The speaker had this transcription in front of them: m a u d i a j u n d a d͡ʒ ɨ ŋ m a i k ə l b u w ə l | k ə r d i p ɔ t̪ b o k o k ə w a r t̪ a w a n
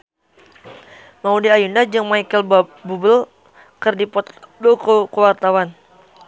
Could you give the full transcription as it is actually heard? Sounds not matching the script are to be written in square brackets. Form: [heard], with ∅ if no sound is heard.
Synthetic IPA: m a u d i a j u n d a d͡ʒ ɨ ŋ m a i k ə l b u [b] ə l | k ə r d i p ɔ t̪ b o k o k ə w a r t̪ a w a n

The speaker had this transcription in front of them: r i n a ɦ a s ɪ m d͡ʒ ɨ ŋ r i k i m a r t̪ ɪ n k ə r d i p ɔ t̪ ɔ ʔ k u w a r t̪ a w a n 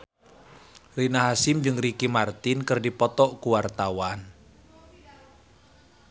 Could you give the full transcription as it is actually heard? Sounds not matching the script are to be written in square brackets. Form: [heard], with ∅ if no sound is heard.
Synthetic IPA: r i n a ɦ a s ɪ m d͡ʒ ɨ ŋ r i k i m a r t̪ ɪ n k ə r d i p ɔ t̪ ɔ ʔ k u w a r t̪ a w a n

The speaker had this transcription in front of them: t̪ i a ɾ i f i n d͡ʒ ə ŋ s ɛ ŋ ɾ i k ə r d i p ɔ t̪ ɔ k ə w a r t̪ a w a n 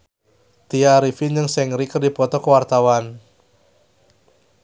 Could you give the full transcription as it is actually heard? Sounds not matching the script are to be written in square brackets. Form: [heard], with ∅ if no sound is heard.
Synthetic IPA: t̪ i a ɾ i f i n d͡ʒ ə ŋ s ɛ ŋ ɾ i k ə r d i p ɔ t̪ ɔ k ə w a r t̪ a w a n

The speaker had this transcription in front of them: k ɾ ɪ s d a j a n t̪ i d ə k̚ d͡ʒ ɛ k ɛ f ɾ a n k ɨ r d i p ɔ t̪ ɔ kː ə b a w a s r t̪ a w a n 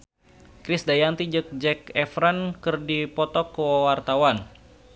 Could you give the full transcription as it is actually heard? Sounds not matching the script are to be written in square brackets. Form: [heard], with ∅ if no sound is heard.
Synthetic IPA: k ɾ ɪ s d a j a n t̪ i [d͡ʒ] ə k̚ d͡ʒ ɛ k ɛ f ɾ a n k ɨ r d i p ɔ t̪ ɔ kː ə [w] a w a [∅] r t̪ a w a n

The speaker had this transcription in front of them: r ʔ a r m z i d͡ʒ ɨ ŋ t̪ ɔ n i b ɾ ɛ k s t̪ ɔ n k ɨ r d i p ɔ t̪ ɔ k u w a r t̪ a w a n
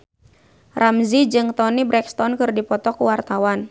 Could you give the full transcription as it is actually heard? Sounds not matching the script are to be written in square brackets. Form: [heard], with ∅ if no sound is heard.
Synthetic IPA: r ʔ a [∅] m z i d͡ʒ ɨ ŋ t̪ ɔ n i b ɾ ɛ k s t̪ ɔ n k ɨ r d i p ɔ t̪ ɔ k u w a r t̪ a w a n

